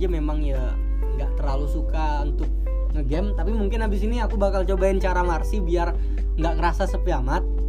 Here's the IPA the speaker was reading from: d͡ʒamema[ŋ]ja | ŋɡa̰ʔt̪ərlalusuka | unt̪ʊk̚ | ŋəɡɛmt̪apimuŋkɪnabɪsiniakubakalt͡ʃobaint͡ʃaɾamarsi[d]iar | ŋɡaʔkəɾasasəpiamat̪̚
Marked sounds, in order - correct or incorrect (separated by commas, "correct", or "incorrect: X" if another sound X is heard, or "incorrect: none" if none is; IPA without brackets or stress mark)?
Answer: correct, incorrect: b